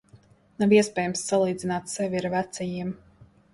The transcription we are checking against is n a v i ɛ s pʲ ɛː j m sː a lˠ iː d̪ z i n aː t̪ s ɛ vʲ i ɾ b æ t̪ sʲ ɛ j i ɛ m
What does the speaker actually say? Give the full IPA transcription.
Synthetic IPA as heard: n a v i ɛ s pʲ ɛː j m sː a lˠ iː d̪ z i n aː t̪ s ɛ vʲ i ɾ v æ t̪ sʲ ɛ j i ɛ m